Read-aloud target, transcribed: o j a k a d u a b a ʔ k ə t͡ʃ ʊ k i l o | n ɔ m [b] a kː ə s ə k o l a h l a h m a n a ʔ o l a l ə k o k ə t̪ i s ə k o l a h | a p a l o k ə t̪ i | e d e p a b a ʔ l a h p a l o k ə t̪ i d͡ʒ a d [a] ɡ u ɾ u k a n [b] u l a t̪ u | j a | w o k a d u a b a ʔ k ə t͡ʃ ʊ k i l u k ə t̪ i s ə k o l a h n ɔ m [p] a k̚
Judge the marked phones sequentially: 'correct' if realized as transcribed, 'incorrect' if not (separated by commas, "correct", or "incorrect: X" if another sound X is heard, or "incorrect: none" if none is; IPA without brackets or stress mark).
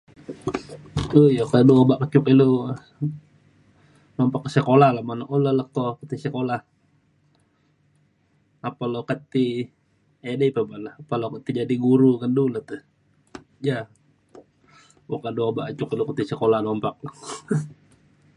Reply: incorrect: p, incorrect: i, incorrect: d, correct